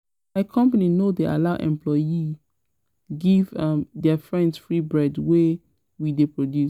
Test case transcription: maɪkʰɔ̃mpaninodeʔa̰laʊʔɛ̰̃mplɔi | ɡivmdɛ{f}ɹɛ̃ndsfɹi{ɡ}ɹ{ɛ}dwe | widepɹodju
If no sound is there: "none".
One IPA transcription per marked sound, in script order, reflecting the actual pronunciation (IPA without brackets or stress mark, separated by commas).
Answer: f, b, ɛ